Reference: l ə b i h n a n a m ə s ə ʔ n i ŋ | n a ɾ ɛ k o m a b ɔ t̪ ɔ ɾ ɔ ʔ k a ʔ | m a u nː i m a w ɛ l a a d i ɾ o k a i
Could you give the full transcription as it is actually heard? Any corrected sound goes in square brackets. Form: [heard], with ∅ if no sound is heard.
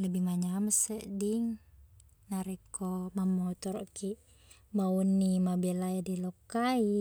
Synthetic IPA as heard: l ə b i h [m] a [ɲ] a m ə s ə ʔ [d] i ŋ | n a ɾ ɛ k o m a [m] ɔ t̪ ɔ ɾ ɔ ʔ k [i] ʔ | m a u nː i m a [b] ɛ l a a d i [l] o k a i

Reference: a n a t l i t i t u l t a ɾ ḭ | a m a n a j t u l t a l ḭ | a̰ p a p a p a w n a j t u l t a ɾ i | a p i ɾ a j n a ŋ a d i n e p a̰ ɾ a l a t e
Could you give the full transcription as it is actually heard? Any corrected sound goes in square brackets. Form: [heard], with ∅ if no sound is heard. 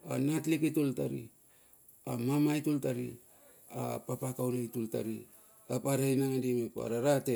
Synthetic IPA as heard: a n a t l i [k] i t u l t a ɾ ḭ | a m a [m] a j t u l t a [ɾ] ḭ | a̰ p a p a [k] a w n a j t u l t a ɾ i | a p [a] ɾ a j n a ŋ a d i [m] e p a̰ ɾ a [ɾ] a t e

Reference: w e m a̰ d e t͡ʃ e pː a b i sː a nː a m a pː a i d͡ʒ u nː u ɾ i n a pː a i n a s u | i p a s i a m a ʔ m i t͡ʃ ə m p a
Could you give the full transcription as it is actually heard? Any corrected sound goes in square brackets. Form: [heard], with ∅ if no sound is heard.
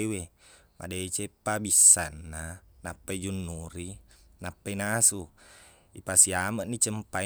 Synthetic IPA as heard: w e m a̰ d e t͡ʃ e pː a b i sː a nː a [n] a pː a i d͡ʒ u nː u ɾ i n a pː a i n a s u | i p a s i a m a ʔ [n] i t͡ʃ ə m p a

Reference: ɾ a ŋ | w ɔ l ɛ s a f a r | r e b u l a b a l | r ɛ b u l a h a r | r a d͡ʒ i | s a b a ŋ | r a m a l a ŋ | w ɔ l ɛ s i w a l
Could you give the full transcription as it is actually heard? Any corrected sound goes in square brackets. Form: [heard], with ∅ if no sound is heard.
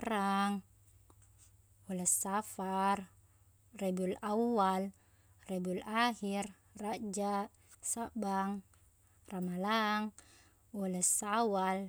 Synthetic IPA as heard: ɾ a ŋ | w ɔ l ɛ s a f a r | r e b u l a [w] a l | r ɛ b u l a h [i] r | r a d͡ʒ [a] | s a b a ŋ | r a m a l a ŋ | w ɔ l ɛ s [a] w a l

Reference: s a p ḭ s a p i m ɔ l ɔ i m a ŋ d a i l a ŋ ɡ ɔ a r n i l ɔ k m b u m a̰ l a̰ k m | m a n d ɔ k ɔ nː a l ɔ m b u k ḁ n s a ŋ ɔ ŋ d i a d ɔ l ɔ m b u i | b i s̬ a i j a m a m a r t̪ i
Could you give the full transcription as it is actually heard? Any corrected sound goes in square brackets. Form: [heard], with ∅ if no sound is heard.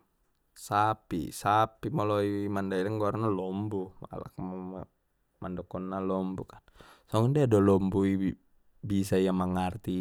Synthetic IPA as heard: s a p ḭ s a p i m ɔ l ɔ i m a [n] d a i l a ŋ ɡ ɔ a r n [a] l ɔ [∅] m b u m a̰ l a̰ k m | m a n d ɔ k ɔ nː a l ɔ m b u k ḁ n s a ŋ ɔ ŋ d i a d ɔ l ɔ m b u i | b i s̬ a i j a m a [ŋ] a r t̪ i

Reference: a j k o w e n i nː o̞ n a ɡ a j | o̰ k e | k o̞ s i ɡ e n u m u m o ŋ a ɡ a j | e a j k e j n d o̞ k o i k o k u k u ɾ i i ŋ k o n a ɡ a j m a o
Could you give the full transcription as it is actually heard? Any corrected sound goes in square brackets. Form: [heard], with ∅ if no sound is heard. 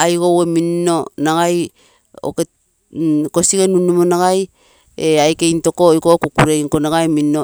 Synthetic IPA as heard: a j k o w e [m] i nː o̞ n a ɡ a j | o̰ k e | k o̞ s i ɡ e n u [n] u m o [n] a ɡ a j | e a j k e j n [t] o̞ k o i k o k u k u ɾ [e] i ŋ k o n a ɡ a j m [i] o

